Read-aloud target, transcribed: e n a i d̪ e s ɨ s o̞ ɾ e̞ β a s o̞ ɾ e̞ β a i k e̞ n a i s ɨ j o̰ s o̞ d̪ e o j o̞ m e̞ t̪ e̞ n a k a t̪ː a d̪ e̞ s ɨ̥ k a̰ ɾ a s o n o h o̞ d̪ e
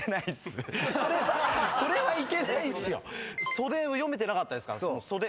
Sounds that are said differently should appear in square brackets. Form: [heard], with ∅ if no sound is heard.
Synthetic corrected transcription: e n a i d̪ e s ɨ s o̞ ɾ e̞ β a s o̞ ɾ e̞ β a i k e̞ n a i s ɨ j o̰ s o̞ d̪ e o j o̞ m e̞ t̪ e̞ n a k a t̪ː a d̪ e̞ s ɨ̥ k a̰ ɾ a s o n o [s] o̞ d̪ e